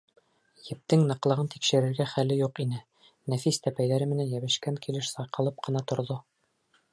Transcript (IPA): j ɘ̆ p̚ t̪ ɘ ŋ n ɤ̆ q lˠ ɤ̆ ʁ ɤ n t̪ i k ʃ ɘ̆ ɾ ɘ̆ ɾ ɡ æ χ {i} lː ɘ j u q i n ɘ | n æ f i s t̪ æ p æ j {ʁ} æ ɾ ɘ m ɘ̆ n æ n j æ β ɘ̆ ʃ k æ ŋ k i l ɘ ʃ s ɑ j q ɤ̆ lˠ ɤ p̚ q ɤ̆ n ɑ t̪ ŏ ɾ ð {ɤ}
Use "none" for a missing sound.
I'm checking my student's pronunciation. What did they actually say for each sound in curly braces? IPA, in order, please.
æ, ð, o

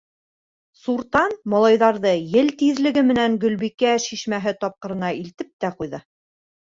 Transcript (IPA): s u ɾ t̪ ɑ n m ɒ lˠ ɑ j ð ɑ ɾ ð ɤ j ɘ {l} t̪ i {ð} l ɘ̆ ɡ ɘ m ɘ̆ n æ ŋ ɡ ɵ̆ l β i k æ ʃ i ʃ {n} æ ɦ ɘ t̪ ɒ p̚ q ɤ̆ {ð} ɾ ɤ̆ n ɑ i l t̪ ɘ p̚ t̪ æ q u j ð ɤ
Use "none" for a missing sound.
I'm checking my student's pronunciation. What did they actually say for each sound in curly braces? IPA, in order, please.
l, ð, m, none

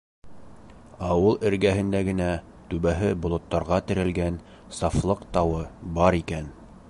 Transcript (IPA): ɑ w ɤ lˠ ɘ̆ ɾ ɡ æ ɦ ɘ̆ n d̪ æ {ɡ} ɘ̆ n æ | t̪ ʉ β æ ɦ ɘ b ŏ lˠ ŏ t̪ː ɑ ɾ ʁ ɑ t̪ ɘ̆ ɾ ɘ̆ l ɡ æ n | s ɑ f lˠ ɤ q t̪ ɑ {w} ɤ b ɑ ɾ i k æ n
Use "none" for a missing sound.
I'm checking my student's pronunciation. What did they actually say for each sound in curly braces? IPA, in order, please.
ɡ, w

